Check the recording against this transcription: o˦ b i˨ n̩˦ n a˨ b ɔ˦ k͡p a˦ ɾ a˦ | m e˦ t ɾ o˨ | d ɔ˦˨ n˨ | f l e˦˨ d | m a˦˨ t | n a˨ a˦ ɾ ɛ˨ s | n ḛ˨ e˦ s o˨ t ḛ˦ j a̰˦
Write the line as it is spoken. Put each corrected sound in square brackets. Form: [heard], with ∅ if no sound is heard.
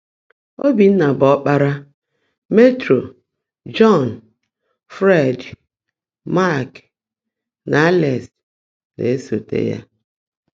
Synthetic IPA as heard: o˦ b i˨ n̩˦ n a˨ b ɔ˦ k͡p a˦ ɾ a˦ | m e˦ t ɾ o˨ | [d͡ʒ] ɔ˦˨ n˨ | f [ɾ] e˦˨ d | m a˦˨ [k] | n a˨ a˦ [l] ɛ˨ s | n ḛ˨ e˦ s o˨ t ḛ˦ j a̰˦